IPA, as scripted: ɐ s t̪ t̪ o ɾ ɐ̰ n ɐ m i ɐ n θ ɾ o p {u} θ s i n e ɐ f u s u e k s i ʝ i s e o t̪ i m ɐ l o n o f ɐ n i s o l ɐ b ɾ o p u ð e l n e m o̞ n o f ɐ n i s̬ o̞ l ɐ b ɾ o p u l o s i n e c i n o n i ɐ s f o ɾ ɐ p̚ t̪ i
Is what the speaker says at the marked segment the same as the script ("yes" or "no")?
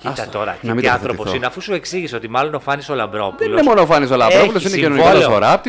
no